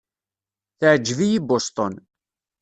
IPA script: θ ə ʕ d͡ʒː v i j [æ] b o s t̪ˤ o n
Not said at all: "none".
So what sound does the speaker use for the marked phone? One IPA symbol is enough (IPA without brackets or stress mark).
i